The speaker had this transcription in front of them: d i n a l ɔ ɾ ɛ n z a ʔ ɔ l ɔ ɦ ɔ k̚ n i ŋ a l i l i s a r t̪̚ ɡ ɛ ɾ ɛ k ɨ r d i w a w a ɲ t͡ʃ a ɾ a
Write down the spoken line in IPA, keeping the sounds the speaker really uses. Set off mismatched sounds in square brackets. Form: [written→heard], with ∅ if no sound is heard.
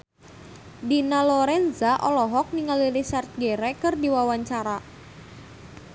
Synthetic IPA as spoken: d i n a l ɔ ɾ ɛ n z a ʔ ɔ l ɔ ɦ ɔ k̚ n i ŋ a l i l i s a r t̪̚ ɡ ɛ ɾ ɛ k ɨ r d i w a w a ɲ t͡ʃ a ɾ a